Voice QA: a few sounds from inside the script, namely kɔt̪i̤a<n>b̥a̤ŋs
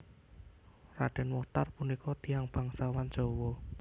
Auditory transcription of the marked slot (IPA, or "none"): ŋ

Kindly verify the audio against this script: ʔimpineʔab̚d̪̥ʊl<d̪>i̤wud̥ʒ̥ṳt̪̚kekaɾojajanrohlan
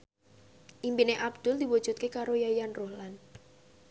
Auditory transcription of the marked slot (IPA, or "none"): d̪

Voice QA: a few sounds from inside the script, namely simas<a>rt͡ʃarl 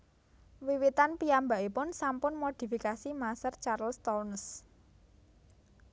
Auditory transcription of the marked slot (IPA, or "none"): ə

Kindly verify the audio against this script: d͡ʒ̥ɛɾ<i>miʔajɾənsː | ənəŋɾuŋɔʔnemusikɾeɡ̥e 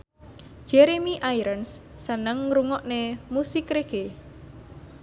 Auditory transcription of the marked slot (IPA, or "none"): e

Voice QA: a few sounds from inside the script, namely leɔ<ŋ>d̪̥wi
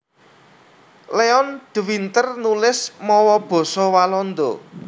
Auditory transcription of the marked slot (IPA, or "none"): n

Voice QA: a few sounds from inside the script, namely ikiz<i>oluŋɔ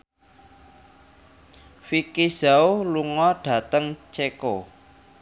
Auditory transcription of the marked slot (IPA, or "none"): a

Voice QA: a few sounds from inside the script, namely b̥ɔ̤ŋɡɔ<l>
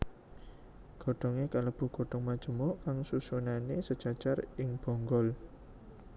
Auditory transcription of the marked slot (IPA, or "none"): l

